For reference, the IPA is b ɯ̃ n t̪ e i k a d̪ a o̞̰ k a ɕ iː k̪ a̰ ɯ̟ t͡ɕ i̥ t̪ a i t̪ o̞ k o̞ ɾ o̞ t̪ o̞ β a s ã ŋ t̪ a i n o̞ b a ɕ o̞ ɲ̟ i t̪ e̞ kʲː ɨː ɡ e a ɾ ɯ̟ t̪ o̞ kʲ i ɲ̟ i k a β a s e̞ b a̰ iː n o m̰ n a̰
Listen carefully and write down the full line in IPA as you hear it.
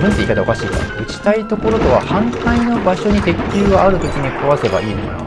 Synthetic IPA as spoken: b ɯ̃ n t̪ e i k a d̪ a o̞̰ k a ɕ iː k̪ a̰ ɯ̟ t͡ɕ i̥ t̪ a i t̪ o̞ k o̞ ɾ o̞ t̪ o̞ β a h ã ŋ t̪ a i n o̞ b a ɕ o̞ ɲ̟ i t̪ e̞ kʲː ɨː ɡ a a ɾ ɯ̟ t̪ o̞ kʲ i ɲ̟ i k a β a s e̞ b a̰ iː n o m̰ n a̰